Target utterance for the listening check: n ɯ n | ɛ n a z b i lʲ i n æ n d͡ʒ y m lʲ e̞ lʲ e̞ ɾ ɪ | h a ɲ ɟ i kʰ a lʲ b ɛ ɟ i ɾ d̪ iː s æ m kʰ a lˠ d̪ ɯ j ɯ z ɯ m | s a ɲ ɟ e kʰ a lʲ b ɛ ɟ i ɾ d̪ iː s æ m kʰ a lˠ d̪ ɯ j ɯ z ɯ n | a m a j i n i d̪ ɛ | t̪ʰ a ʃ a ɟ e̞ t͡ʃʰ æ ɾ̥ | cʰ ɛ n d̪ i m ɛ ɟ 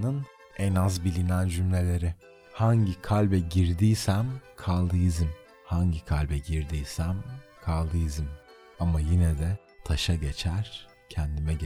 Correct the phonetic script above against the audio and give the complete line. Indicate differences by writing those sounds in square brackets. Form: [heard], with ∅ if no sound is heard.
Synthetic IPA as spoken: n ɯ n | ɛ n a z b i lʲ i n æ n d͡ʒ y m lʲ e̞ lʲ e̞ ɾ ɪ | h a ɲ ɟ i kʰ a lʲ b ɛ ɟ i ɾ d̪ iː s æ m kʰ a lˠ d̪ ɯ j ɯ z ɯ m | [h] a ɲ ɟ [i] kʰ a lʲ b ɛ ɟ i ɾ d̪ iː s æ m kʰ a lˠ d̪ ɯ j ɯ z ɯ [m] | a m a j i n [ɛ] d̪ ɛ | t̪ʰ a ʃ a ɟ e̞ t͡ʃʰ æ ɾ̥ | cʰ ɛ n d̪ i m ɛ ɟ